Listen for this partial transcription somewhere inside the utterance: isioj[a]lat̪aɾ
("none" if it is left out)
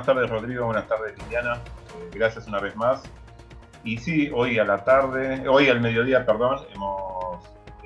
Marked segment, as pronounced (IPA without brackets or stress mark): a